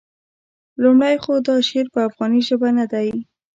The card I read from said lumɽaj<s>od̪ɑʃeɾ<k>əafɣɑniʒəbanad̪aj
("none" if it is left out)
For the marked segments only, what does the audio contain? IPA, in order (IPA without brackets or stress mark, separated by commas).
x, p